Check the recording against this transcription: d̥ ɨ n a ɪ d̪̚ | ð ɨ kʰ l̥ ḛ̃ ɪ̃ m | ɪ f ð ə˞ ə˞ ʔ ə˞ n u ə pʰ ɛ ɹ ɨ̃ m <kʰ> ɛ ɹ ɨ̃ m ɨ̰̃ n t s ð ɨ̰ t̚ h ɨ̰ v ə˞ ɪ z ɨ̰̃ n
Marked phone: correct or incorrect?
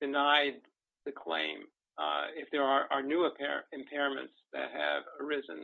incorrect: pʰ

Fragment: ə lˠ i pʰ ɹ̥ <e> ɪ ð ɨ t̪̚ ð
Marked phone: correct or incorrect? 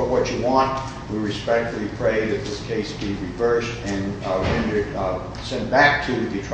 correct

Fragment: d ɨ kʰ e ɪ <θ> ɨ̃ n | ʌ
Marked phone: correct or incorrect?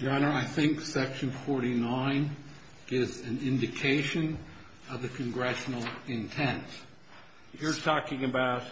incorrect: ʃ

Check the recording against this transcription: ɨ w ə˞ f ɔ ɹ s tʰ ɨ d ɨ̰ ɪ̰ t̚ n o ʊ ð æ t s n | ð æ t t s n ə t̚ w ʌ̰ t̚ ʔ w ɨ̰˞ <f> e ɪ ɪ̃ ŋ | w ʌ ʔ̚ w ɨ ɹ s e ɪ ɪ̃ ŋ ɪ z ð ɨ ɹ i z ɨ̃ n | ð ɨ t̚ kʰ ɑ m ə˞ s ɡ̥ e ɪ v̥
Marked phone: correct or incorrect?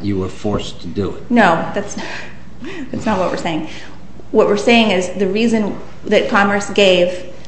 incorrect: s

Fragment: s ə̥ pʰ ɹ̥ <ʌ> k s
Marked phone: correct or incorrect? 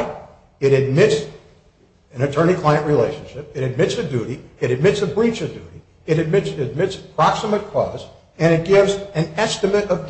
incorrect: ɑ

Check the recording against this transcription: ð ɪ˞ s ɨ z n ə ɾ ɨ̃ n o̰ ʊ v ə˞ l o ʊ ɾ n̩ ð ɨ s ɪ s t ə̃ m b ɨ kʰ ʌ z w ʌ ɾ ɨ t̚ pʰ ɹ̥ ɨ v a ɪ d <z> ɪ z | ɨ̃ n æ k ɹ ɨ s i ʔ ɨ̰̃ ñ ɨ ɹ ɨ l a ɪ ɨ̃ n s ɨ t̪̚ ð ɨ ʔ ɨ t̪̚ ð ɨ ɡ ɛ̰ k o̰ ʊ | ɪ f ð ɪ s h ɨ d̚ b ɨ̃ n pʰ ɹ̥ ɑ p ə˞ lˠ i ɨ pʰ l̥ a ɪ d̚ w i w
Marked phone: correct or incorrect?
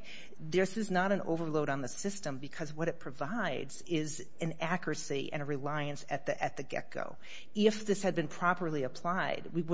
correct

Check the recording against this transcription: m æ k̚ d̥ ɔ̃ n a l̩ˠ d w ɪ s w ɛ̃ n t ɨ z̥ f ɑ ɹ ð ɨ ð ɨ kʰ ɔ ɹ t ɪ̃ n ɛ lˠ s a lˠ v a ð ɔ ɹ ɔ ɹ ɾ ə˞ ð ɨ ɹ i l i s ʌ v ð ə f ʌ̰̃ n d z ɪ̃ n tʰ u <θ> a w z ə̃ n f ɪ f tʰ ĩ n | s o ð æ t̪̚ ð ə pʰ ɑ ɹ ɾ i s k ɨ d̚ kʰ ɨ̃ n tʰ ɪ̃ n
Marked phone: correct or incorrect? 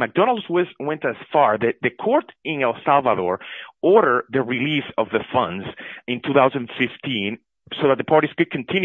correct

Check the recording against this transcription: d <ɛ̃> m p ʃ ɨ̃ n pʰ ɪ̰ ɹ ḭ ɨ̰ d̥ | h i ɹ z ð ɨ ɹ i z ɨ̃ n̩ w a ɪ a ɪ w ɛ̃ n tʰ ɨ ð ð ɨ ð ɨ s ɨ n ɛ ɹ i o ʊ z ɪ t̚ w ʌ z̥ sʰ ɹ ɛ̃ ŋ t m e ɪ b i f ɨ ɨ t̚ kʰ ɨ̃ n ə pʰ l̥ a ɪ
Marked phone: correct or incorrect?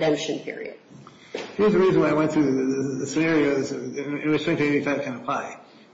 correct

